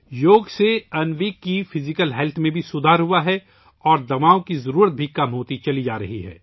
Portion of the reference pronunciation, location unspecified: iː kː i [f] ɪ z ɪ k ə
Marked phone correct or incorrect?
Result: correct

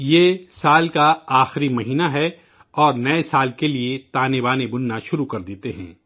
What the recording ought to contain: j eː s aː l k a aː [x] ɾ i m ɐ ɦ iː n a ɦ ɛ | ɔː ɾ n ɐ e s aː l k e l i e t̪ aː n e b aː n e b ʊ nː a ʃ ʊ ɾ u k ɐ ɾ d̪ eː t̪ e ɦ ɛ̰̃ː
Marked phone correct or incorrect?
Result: correct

